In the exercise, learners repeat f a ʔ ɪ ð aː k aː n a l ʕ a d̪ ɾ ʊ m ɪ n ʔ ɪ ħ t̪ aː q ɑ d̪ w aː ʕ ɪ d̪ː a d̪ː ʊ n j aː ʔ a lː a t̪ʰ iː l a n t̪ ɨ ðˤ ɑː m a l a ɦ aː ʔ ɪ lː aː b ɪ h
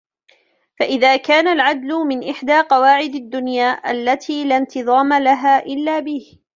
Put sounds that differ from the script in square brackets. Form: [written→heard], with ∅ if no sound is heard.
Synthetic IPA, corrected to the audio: f a ʔ ɪ ð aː k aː n a l ʕ a d̪ [ɾ→l] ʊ m ɪ n ʔ ɪ ħ [t̪→d̪] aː q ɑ [d̪→∅] w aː ʕ ɪ [d̪ː→d̪] a d̪ː ʊ n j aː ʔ a lː a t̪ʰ iː l a n t̪ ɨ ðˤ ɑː m a l a ɦ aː ʔ ɪ lː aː b ɪ h